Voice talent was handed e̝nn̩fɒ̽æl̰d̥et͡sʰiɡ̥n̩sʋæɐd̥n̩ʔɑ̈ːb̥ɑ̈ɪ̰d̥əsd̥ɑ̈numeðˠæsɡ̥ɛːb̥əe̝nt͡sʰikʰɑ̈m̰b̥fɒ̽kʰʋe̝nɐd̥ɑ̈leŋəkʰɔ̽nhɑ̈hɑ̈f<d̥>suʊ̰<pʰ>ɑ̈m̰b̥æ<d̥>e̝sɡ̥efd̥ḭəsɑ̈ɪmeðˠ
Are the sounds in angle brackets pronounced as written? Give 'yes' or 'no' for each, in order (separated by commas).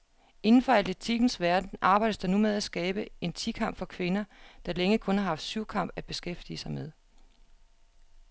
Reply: yes, no, no